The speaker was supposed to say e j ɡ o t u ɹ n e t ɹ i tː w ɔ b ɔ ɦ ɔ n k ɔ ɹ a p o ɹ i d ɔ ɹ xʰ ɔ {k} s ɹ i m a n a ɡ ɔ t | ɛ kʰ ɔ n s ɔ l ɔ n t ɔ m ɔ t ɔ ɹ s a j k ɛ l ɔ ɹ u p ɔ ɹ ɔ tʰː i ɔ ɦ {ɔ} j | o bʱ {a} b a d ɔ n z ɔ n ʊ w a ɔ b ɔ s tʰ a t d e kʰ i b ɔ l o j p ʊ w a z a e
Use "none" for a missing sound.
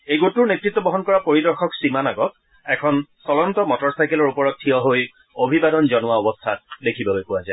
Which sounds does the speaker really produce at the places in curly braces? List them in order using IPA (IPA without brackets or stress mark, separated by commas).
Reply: k, o, i